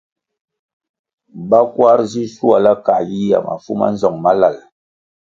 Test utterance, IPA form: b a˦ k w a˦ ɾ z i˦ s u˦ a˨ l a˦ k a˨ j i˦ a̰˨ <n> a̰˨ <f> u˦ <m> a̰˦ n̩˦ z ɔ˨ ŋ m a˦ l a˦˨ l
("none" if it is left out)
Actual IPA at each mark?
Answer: m, f, m

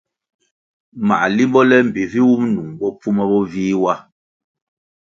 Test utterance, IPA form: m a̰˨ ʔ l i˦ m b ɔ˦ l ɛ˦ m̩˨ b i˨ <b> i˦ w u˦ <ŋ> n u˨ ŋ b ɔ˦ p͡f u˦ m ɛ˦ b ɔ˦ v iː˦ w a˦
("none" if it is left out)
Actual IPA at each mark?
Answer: v, m

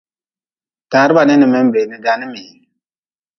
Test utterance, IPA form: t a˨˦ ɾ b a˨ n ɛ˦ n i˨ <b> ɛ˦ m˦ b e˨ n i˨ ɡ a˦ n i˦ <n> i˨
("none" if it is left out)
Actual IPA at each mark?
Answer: m, m

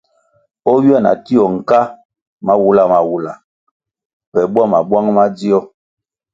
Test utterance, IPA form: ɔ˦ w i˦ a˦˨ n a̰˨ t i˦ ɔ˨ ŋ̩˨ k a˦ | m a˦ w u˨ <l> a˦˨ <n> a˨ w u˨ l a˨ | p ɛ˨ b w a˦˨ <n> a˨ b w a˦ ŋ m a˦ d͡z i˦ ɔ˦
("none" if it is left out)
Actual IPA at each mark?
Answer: l, m, m

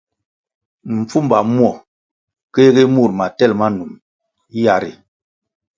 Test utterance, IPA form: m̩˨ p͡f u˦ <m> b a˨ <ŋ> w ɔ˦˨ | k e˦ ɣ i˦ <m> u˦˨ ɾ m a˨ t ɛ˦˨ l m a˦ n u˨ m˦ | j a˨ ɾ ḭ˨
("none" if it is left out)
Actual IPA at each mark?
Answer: m, m, m

